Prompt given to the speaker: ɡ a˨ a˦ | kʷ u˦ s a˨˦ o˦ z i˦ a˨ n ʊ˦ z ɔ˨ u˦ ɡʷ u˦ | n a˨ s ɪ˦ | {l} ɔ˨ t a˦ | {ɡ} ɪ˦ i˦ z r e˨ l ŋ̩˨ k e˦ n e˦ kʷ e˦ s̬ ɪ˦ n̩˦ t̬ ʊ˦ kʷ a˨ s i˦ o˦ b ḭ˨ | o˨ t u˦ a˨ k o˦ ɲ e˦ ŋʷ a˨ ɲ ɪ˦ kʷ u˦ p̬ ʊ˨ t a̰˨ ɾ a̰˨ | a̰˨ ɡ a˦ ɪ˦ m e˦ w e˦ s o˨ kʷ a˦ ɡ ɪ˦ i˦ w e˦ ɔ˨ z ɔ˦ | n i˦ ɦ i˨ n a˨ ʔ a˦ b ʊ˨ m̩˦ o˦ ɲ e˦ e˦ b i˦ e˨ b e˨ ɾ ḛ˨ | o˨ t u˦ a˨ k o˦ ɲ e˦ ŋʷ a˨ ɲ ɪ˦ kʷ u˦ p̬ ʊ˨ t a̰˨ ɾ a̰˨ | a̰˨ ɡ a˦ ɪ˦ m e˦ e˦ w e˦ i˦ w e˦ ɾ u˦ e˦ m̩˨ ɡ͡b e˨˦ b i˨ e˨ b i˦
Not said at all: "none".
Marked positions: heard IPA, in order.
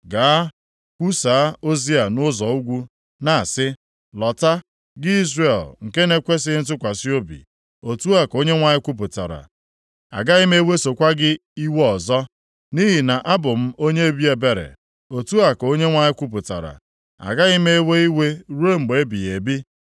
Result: l, ɡ

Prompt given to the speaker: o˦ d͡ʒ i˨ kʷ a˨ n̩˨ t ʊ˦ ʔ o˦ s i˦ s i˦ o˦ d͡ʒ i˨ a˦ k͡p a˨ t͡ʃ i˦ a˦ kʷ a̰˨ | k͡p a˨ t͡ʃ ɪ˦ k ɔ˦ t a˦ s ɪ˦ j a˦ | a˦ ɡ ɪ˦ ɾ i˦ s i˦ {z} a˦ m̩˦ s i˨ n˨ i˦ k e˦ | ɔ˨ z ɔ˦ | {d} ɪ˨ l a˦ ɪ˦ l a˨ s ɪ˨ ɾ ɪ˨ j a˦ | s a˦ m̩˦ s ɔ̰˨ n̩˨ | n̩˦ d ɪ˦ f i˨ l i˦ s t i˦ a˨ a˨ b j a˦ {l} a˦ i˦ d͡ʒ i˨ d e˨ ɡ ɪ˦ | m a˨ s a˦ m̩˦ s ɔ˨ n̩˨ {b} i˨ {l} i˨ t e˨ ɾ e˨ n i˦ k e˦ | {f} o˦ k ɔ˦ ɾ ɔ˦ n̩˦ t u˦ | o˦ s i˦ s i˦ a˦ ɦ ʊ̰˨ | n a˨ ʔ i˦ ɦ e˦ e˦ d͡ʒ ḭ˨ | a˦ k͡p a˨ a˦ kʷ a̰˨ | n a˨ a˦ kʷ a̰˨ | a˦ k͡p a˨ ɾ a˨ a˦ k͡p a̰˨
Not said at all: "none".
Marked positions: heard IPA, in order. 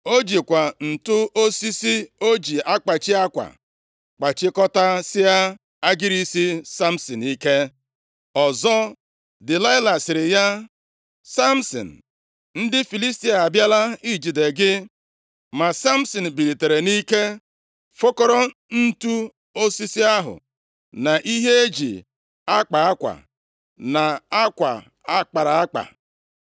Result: s, d, l, b, ɾ, f

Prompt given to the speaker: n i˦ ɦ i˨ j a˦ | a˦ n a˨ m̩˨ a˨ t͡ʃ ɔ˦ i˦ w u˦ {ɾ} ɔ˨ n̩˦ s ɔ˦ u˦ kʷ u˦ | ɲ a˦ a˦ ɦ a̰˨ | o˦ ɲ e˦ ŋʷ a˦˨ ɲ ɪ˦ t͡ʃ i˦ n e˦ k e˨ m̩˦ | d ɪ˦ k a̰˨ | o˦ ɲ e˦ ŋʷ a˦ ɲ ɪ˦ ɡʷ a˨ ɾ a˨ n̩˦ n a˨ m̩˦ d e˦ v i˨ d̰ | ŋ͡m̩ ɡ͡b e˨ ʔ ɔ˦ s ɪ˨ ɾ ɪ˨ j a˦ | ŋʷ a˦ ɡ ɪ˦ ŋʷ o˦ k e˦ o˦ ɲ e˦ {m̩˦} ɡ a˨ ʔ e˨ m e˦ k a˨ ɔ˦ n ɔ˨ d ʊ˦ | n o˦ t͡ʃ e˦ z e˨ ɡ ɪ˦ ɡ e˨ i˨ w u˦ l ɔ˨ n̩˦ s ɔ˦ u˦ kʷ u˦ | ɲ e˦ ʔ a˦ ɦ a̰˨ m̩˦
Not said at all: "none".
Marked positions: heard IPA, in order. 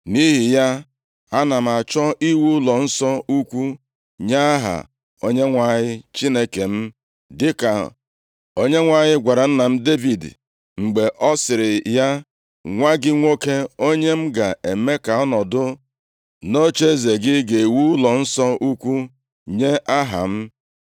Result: l, m̩˦

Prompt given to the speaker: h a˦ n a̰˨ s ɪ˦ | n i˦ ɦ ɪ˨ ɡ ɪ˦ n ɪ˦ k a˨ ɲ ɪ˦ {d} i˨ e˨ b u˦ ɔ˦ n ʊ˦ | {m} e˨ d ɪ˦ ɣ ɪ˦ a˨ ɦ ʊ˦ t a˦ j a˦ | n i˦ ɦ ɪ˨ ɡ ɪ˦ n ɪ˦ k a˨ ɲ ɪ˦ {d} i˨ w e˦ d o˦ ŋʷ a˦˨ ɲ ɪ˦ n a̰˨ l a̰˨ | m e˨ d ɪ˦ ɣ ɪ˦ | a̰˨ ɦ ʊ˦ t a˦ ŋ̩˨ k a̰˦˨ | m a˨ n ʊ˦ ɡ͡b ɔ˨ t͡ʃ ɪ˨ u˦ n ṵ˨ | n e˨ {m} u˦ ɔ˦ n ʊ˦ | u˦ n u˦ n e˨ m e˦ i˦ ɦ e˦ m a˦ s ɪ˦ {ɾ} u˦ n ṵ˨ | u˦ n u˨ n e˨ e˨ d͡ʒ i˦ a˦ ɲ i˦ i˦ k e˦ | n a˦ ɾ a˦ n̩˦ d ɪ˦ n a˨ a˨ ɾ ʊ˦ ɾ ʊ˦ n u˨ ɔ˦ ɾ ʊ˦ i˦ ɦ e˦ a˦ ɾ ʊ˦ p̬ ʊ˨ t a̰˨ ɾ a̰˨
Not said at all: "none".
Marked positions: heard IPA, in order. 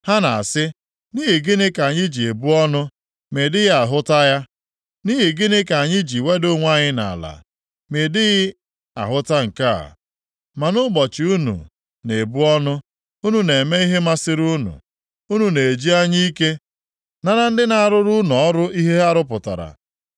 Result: d͡ʒ, m, d͡ʒ, b, ɾ

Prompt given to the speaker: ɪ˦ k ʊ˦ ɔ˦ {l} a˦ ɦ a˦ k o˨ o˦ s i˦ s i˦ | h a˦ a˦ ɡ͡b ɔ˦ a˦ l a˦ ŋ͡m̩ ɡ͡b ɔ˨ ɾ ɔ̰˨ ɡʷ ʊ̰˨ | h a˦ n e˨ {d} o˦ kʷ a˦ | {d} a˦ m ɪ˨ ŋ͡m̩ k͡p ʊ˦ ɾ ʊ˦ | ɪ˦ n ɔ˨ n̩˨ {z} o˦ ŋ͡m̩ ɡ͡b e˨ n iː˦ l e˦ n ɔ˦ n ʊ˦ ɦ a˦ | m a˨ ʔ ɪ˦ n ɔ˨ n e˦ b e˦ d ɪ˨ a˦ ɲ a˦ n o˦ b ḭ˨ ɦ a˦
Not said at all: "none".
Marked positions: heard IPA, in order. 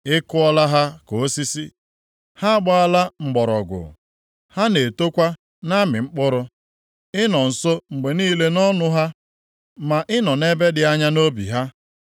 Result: l, t, n, s

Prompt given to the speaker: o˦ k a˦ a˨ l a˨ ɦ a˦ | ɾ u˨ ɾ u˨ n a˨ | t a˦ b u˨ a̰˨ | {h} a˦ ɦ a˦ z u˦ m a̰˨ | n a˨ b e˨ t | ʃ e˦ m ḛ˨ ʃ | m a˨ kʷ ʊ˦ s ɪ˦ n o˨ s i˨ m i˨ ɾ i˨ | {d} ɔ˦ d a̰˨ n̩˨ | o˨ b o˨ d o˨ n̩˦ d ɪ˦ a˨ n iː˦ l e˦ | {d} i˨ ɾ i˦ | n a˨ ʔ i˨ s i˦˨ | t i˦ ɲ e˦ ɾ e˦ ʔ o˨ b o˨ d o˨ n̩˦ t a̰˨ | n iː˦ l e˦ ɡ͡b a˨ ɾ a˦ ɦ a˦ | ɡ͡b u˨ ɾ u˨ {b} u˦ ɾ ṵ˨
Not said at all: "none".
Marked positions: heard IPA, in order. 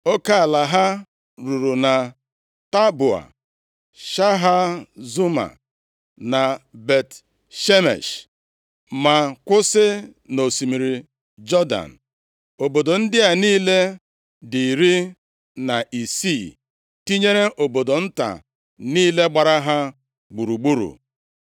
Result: ʃ, d͡ʒ, d, ɡ͡b

